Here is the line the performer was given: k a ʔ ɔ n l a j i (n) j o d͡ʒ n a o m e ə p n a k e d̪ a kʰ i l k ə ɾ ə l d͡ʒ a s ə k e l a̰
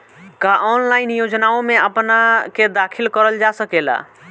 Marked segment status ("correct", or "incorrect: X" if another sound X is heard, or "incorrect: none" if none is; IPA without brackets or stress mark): correct